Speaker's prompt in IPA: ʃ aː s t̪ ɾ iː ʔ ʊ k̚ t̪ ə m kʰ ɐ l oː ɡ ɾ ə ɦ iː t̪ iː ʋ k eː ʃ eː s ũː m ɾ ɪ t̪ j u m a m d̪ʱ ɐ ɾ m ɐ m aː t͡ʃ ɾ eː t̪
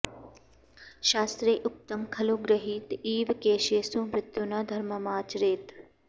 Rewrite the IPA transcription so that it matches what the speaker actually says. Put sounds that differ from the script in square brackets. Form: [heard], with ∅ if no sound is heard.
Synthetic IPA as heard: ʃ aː s t̪ ɾ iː ʔ ʊ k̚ t̪ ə m kʰ ɐ l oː ɡ ɾ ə ɦ iː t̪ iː ʋ k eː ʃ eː s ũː m ɾ ɪ t̪ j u [n] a [∅] d̪ʱ ɐ ɾ m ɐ m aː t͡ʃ ɾ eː t̪